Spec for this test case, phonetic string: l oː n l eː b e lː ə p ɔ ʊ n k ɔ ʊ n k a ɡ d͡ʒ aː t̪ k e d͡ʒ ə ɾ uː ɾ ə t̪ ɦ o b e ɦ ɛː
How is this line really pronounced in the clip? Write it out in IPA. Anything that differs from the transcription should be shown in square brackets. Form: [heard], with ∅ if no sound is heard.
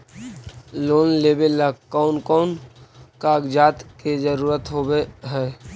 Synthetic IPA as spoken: l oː n l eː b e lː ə [k] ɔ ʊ n k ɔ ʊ n k a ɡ d͡ʒ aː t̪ k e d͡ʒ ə ɾ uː ɾ ə t̪ ɦ o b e ɦ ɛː